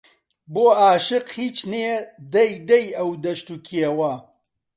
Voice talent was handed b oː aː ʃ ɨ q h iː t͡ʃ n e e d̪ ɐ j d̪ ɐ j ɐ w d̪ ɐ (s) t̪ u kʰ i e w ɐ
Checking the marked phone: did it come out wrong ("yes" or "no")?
yes